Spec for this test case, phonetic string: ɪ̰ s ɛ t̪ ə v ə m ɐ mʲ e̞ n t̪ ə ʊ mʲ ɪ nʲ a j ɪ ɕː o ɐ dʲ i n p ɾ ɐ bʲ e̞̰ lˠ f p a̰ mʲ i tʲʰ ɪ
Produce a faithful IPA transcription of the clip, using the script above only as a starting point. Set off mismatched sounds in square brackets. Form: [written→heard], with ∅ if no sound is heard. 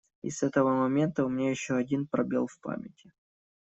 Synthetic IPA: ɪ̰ s ɛ t̪ ə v ə m ɐ mʲ e̞ n t̪ ə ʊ mʲ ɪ nʲ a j ɪ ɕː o ɐ dʲ i n p ɾ ɐ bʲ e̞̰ lˠ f p a̰ mʲ [i→ɪ] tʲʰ ɪ